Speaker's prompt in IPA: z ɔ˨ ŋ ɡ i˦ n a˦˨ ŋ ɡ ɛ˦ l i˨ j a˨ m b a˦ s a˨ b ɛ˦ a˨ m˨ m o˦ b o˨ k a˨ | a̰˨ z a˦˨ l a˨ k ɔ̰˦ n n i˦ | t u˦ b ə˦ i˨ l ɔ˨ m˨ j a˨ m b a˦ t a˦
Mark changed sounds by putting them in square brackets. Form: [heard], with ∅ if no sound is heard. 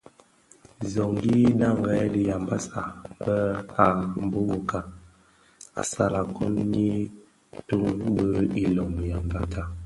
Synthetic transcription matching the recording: z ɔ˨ ŋ ɡ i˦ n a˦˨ ŋ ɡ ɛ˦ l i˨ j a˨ m b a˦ s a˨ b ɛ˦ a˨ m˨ [b] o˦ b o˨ k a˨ | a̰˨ [s] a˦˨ l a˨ k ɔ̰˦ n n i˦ | t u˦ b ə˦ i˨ l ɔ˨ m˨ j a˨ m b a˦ t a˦